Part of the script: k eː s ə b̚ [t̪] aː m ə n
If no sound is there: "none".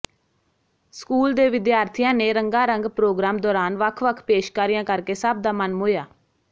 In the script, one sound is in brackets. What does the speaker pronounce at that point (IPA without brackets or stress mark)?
d̪